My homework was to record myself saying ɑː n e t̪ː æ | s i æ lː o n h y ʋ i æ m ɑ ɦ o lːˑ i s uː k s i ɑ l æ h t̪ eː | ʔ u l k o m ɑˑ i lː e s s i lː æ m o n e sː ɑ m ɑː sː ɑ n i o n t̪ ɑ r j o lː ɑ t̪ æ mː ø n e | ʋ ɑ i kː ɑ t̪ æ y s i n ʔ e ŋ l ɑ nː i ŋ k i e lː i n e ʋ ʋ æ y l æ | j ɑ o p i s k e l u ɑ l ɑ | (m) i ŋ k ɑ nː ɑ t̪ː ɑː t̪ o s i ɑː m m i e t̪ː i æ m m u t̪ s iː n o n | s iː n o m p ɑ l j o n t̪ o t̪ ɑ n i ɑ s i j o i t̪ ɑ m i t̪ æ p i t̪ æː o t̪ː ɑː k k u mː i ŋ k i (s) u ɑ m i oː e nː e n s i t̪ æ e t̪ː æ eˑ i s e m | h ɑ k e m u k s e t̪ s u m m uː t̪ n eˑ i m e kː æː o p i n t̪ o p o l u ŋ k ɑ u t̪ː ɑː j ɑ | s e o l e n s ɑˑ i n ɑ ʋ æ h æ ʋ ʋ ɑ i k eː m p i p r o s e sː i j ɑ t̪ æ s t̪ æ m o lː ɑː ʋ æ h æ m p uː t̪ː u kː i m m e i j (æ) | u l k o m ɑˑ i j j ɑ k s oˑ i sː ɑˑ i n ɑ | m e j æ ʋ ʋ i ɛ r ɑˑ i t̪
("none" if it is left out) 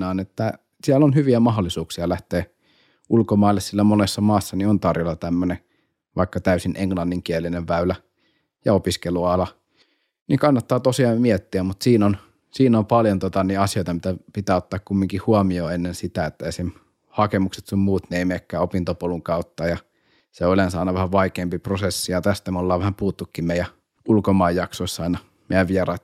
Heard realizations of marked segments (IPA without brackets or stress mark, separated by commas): n, h, æ